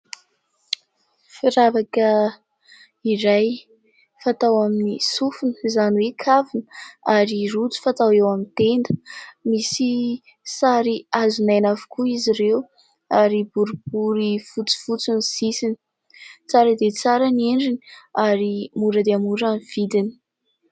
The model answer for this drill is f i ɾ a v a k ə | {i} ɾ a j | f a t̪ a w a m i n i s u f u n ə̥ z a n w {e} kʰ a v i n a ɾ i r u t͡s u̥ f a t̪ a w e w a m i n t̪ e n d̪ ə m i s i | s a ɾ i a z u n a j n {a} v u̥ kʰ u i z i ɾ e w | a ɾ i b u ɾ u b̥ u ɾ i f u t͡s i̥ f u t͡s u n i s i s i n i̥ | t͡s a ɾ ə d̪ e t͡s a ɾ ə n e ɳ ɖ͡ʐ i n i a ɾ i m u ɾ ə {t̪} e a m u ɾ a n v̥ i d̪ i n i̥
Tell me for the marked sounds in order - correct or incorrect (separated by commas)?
correct, correct, correct, incorrect